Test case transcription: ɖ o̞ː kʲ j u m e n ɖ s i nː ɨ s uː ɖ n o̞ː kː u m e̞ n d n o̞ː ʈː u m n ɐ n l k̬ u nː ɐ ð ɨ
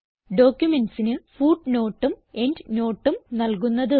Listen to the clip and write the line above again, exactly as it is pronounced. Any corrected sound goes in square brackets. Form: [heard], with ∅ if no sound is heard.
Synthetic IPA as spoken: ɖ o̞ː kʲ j u m e n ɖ s i [n] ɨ [f] uː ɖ n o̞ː [ʈː] u m e̞ n d n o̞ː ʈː u m n ɐ [∅] l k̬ u nː ɐ ð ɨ